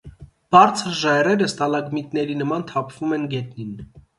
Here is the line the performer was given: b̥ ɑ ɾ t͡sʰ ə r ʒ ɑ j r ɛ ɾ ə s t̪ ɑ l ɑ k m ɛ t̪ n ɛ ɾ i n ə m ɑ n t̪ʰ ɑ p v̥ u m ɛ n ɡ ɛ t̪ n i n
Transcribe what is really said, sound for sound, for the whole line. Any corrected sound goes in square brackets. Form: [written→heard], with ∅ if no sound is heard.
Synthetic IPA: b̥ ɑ ɾ t͡sʰ ə [r→ɾ] ʒ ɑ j r ɛ ɾ ə s t̪ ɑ l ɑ [k→ɡ] m [ɛ→i] t̪ n ɛ ɾ i n ə m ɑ n t̪ʰ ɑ [p→pʰ] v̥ u m ɛ n ɡ ɛ t̪ n i n

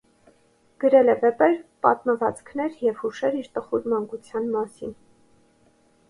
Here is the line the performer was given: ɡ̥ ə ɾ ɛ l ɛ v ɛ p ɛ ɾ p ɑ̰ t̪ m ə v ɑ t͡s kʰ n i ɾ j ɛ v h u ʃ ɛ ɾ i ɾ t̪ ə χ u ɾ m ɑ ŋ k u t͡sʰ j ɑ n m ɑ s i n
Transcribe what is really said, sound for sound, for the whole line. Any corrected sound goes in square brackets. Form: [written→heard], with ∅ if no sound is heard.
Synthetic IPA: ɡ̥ ə ɾ ɛ l ɛ v ɛ p ɛ ɾ p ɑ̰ t̪ m ə v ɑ t͡s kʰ n [i→ɛ] ɾ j ɛ v h u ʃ ɛ ɾ i ɾ t̪ ə χ u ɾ m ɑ ŋ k u t͡sʰ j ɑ n m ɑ s i n

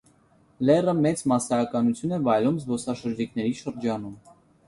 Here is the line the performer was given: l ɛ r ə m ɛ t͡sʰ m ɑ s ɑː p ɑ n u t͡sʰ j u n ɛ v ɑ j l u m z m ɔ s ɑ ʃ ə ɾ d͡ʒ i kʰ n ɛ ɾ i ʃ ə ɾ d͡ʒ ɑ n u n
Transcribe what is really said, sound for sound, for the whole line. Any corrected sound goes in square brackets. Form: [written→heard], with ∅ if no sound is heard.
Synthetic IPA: l ɛ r ə m ɛ [t͡sʰ→t͡s] m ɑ s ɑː [p→k] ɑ n u t͡sʰ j u n ɛ v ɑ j l u m z [m→b] ɔ s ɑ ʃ ə ɾ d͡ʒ i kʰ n ɛ ɾ i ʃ ə ɾ d͡ʒ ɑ n u [n→m]

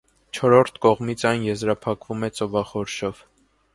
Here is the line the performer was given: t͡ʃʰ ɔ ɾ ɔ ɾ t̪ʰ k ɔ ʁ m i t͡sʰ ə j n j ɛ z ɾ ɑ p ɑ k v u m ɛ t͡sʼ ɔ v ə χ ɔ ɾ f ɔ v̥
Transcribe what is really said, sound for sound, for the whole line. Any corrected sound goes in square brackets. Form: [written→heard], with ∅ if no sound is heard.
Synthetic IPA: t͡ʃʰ ɔ ɾ ɔ ɾ t̪ʰ k ɔ ʁ m i t͡sʰ [ə→ɑ] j n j ɛ z ɾ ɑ [p→pʰ] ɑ k v u m ɛ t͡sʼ ɔ v [ə→ɑ] χ ɔ ɾ [f→ʃ] ɔ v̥

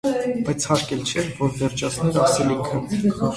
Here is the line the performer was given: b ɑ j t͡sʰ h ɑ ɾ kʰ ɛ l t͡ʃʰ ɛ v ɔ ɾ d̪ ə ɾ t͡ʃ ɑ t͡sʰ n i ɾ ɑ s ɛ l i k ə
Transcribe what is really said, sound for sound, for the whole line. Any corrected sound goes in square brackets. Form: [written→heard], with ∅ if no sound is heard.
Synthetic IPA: b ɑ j t͡sʰ h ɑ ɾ [kʰ→k] ɛ l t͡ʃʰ ɛ v ɔ ɾ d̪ ə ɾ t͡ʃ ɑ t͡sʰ n [i→ɛ] ɾ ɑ s ɛ l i [k→kʰ] ə

